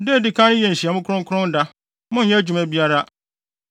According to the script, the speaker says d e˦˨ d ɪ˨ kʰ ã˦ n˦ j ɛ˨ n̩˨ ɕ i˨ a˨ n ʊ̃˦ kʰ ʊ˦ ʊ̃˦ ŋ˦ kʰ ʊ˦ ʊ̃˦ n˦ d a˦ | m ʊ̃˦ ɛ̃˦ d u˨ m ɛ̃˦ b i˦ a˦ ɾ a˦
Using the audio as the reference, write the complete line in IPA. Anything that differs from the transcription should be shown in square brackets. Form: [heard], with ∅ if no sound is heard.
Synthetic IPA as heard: d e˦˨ d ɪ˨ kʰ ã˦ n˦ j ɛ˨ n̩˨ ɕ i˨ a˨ [m] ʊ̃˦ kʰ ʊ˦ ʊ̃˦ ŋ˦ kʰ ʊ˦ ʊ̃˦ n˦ d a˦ | m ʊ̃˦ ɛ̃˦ [d͡ʑ] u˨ m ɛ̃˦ b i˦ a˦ ɾ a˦